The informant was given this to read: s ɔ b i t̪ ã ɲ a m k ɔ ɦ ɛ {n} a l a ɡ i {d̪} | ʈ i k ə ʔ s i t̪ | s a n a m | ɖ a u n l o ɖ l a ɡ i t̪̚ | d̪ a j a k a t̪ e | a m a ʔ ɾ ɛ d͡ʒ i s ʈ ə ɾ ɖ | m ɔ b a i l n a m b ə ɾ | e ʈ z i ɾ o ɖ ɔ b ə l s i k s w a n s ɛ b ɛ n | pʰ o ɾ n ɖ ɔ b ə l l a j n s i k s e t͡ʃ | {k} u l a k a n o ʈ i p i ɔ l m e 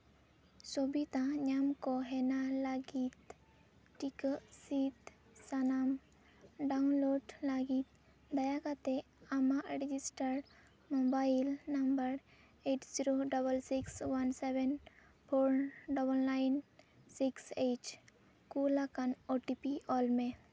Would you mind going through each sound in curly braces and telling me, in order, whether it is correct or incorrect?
correct, incorrect: t̪, correct

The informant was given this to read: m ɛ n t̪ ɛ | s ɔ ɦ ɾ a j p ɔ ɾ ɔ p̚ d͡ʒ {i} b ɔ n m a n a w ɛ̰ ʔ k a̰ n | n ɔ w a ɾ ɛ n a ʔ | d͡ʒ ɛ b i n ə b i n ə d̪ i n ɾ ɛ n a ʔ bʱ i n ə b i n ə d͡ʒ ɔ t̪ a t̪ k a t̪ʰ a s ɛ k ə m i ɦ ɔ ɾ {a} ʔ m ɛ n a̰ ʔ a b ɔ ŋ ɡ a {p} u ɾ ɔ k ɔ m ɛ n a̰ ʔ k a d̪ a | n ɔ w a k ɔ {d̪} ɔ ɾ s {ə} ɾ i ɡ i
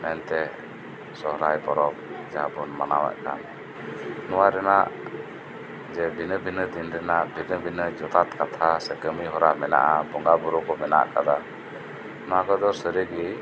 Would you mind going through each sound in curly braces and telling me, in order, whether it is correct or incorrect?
incorrect: a, correct, incorrect: b, correct, correct

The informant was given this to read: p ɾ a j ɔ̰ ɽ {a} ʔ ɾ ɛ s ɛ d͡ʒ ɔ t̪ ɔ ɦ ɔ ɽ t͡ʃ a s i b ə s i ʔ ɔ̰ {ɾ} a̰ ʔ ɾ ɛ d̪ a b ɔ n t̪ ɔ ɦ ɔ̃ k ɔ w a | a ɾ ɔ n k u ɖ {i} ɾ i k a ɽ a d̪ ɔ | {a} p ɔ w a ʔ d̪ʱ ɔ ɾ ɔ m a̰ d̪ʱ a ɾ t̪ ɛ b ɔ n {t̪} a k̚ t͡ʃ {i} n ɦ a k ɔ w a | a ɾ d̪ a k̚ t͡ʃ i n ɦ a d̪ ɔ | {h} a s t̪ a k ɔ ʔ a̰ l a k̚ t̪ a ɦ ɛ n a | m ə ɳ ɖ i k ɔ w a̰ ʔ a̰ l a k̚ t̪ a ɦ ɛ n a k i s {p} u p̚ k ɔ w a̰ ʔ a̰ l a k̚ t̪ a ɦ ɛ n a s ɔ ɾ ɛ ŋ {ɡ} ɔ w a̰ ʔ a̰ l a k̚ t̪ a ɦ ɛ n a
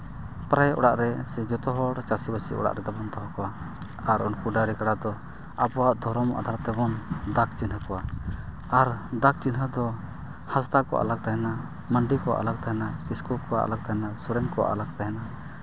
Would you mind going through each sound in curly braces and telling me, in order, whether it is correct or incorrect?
correct, incorrect: ɽ, incorrect: a, correct, incorrect: d̪, correct, correct, incorrect: k, incorrect: k

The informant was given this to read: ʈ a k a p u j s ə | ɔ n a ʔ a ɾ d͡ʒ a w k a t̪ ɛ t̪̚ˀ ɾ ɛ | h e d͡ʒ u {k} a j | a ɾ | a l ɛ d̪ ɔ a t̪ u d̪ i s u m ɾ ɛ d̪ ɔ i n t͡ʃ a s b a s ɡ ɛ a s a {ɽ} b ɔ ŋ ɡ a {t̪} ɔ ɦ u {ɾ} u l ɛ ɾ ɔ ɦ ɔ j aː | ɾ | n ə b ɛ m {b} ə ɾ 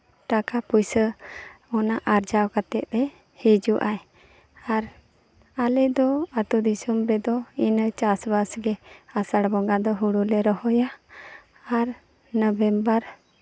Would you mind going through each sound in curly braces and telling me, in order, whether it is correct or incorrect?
incorrect: ʔ, correct, incorrect: d̪, incorrect: ɽ, correct

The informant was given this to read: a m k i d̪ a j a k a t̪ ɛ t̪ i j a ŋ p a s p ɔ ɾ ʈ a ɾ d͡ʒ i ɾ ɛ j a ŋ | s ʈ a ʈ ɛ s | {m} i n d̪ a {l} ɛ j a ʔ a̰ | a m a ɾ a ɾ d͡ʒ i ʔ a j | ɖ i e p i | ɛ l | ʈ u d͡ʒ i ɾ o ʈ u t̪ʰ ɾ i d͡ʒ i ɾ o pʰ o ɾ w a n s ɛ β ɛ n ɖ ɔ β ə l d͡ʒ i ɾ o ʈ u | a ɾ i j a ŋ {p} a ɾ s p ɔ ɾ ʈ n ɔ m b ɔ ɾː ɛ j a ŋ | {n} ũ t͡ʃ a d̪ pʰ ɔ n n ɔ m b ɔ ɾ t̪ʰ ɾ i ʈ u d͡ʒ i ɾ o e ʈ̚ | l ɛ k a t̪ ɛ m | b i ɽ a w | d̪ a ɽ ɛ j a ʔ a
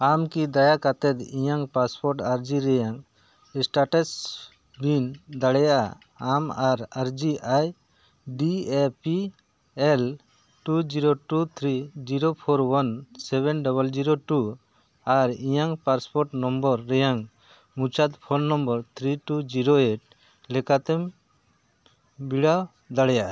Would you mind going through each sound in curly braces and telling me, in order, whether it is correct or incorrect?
incorrect: b, incorrect: ɽ, correct, incorrect: m

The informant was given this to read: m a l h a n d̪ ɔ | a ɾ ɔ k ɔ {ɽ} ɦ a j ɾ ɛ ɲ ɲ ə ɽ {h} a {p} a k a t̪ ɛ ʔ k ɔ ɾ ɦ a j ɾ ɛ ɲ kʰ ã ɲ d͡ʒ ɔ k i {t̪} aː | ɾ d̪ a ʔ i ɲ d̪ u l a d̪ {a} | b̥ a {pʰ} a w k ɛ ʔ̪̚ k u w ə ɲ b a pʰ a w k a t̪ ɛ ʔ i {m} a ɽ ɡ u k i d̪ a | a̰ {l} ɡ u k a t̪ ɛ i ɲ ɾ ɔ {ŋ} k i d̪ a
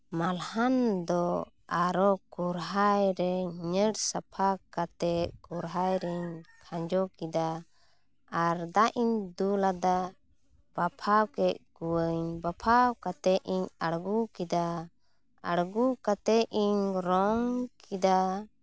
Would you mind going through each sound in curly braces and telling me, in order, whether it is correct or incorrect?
incorrect: ɾ, incorrect: s, incorrect: pʰ, incorrect: d̪, correct, correct, incorrect: ɲ, incorrect: ɽ, correct

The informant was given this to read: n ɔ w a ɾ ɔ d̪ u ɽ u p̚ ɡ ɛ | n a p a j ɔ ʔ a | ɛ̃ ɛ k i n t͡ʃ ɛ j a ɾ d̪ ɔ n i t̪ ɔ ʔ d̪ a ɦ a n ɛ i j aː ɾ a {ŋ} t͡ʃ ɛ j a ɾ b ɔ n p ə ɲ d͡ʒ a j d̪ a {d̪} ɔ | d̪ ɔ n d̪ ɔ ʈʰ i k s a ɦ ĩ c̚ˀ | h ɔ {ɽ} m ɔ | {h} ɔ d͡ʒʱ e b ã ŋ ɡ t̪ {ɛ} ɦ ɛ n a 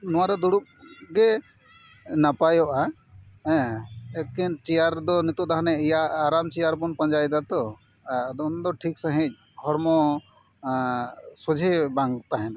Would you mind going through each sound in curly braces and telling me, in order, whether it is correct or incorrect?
incorrect: m, incorrect: t̪, incorrect: ɾ, incorrect: s, incorrect: a

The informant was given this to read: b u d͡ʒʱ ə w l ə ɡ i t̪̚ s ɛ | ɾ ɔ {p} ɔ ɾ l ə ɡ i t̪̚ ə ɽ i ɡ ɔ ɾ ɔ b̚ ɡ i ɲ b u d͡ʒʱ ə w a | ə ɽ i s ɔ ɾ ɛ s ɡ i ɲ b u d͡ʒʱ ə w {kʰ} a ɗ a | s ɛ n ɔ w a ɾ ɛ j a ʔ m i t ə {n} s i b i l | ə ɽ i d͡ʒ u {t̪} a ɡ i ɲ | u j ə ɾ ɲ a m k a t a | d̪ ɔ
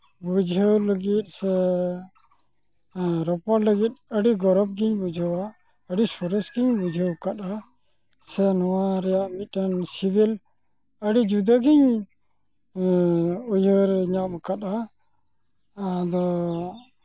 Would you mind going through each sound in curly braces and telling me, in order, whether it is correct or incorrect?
correct, incorrect: k, correct, incorrect: d̪

